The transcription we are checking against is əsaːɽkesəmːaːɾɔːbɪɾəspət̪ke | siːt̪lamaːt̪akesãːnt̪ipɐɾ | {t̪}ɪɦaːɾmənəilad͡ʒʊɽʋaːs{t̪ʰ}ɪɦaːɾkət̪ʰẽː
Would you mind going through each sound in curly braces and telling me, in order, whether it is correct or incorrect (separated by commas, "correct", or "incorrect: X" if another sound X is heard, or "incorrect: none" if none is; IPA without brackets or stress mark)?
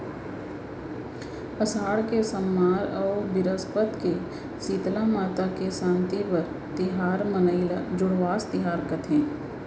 correct, incorrect: t̪